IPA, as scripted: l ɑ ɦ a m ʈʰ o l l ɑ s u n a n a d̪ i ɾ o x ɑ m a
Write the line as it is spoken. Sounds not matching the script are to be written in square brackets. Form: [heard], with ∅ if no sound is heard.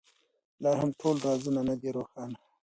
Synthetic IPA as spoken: l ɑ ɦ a m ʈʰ o l [ɾ] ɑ [z] u n a n a d̪ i ɾ o x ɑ [n] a